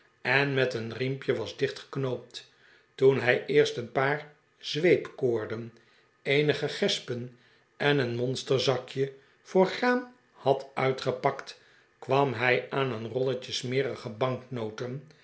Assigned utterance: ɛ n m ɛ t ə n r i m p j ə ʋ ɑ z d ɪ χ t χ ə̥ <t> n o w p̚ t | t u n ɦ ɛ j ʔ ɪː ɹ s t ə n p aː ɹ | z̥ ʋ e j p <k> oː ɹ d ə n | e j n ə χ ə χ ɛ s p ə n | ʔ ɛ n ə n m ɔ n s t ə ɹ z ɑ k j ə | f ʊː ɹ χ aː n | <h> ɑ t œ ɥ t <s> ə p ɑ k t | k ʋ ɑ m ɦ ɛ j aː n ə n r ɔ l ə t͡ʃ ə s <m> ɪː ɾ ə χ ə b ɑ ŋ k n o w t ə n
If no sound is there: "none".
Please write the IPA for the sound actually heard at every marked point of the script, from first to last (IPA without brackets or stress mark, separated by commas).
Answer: k, k, h, χ, m